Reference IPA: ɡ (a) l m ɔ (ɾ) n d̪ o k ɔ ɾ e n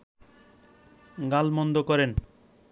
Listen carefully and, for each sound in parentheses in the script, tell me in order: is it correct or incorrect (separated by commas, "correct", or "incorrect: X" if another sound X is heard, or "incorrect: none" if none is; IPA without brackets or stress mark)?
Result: correct, incorrect: none